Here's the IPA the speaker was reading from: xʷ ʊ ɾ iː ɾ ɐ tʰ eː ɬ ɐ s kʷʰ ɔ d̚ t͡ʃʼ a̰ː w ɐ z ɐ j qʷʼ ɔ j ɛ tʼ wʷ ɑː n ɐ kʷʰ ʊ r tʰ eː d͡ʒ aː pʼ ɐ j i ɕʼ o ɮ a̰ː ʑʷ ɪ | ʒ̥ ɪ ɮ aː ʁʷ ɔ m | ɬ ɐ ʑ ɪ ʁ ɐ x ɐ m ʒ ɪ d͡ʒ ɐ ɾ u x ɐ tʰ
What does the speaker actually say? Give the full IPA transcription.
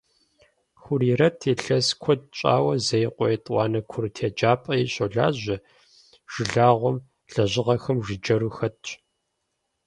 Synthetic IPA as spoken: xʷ ʊ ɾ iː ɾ ɐ tʰ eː ɬ ɐ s kʷʰ ɔ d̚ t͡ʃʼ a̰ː w ɐ z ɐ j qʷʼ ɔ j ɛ tʼ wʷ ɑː n ɐ kʷʰ ʊ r tʰ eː d͡ʒ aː pʼ ɐ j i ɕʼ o ɮ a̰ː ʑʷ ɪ | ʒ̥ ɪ ɮ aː ʁʷ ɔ m | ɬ ɐ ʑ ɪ ʁ ɐ x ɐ m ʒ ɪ d͡ʒ ɐ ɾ u x ɐ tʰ